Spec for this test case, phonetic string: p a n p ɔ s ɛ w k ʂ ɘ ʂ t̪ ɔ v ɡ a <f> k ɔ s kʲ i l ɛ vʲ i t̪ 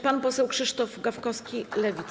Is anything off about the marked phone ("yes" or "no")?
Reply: no